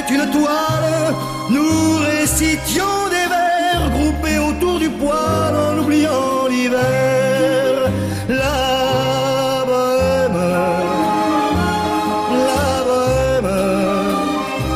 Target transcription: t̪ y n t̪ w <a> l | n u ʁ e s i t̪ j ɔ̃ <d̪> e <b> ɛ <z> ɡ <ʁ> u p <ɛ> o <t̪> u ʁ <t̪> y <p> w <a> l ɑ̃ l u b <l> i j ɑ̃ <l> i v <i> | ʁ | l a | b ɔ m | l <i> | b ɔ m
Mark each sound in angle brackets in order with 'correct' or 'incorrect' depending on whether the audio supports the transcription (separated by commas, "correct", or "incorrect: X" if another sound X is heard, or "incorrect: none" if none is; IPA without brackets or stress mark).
correct, correct, incorrect: v, incorrect: ʁ, correct, incorrect: e, correct, incorrect: d̪, correct, correct, correct, correct, incorrect: ɛ, incorrect: a